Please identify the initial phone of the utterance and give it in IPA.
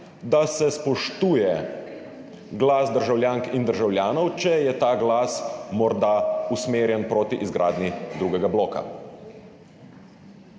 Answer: d̪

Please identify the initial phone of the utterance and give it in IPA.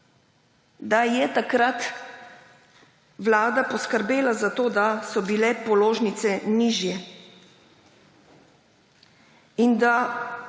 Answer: d̪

